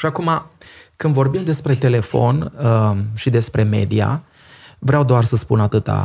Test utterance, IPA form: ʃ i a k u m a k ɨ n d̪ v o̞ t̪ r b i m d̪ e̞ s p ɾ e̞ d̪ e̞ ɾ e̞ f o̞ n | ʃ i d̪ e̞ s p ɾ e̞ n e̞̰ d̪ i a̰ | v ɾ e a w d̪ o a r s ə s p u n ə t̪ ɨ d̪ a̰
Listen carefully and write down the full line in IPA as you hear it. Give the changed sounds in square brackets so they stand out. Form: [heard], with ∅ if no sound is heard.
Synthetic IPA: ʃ i a k u m a k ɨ n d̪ v o̞ [∅] r b i m d̪ e̞ s p ɾ e̞ [t̪] e̞ [l] e̞ f o̞ n | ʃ i d̪ e̞ s p ɾ e̞ [m] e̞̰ d̪ i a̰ | v ɾ e a w d̪ o a r s ə s p u n [a] t̪ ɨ [t̪] a̰